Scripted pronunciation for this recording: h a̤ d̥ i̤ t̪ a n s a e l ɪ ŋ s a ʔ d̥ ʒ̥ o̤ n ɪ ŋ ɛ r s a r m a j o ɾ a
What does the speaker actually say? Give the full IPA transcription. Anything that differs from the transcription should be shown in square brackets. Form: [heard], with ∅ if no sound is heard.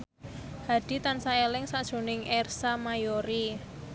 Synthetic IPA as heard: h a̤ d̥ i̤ t̪ a n s a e l ɪ ŋ s a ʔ d̥ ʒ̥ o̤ n ɪ ŋ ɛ r s a [∅] m a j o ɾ [i]